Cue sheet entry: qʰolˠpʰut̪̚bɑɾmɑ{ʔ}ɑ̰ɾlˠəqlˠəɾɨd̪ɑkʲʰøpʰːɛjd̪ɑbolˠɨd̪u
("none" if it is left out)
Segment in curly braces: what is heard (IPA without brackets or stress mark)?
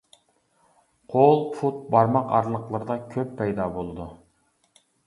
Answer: q